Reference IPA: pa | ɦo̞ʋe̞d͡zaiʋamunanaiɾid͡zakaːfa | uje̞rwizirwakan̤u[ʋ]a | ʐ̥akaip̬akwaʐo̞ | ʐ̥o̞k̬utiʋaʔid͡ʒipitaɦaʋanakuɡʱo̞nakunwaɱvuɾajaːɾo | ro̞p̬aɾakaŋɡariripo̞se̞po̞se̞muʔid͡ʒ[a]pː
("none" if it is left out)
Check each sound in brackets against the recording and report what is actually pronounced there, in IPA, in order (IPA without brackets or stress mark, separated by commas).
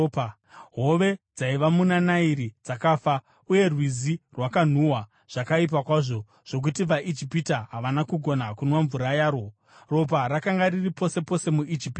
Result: w, i